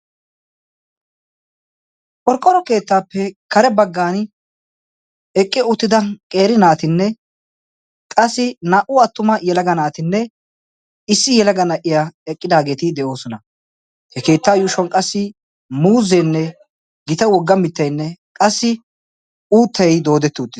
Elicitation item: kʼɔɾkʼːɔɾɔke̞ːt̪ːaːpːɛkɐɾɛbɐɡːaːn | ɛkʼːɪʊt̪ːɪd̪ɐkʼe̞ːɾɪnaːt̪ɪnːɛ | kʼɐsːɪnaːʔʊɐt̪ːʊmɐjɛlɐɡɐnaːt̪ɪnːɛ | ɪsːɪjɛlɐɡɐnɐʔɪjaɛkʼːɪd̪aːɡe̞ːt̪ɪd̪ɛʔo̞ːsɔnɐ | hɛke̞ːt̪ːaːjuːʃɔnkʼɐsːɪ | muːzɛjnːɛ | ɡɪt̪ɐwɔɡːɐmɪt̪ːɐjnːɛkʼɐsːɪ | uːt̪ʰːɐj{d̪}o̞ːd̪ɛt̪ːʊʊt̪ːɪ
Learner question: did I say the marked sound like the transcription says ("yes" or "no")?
yes